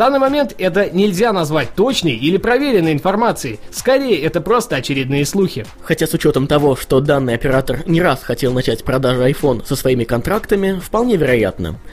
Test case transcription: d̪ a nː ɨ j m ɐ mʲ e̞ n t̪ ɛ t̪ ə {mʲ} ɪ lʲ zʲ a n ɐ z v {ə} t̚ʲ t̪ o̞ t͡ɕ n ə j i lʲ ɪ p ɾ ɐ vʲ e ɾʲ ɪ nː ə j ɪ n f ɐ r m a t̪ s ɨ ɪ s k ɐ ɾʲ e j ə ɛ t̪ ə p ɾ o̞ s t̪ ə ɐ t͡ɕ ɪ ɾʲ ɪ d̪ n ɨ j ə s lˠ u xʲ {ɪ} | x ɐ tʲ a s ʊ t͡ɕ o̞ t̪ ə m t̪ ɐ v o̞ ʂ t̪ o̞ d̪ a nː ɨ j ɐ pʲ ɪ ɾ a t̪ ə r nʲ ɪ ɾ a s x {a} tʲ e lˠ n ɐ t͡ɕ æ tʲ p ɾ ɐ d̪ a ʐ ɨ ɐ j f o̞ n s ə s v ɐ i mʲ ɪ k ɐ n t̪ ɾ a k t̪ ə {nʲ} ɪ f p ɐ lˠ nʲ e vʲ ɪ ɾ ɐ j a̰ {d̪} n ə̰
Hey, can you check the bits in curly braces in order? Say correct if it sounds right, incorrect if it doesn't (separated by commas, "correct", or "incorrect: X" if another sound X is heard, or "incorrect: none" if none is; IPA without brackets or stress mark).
incorrect: nʲ, incorrect: a, correct, incorrect: ɐ, incorrect: mʲ, incorrect: t̪